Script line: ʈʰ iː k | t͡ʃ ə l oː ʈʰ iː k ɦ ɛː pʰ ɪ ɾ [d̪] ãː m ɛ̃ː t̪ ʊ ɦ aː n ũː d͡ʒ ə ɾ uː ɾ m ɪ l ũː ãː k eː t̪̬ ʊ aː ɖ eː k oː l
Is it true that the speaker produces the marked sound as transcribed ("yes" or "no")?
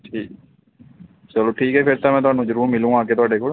no